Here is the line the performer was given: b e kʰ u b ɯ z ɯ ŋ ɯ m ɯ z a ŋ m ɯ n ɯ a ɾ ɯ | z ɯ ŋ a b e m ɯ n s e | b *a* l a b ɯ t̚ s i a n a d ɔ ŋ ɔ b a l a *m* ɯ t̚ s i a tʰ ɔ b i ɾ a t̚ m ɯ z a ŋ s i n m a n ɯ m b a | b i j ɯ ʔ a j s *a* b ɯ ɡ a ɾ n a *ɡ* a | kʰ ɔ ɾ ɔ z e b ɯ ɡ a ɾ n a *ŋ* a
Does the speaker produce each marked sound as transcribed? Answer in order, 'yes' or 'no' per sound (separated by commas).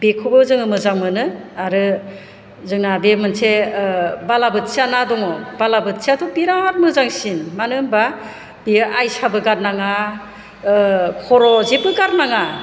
yes, no, yes, no, yes